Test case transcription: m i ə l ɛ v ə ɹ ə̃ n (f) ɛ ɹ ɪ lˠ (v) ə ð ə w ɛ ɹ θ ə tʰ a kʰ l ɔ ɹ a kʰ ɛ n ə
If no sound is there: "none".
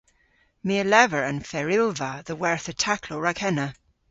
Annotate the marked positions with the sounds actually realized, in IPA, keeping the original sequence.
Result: f, v

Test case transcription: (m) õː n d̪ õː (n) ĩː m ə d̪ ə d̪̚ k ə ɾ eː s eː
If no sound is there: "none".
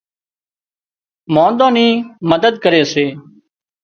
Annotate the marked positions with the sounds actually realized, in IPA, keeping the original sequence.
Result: m, n

